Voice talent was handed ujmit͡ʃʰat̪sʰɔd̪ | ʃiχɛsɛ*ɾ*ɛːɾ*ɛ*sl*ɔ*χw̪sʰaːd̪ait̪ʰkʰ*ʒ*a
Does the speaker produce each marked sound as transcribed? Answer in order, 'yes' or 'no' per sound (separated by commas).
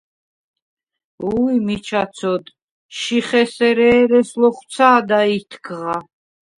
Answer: yes, yes, yes, no